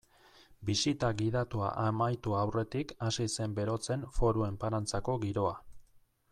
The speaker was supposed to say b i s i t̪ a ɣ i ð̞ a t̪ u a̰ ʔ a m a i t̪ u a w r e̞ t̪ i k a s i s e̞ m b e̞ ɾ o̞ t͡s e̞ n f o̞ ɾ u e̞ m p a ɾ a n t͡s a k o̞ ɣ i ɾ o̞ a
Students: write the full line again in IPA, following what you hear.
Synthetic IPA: b i s i t̪ a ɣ i ð̞ a t̪ u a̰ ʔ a m a j t̪ u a w r e̞ t̪ i k a s i s e̞ m b e̞ ɾ o̞ t͡s e̞ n f o̞ ɾ u e̞ m p a ɾ a n t͡s a k o̞ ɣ i ɾ o̞ a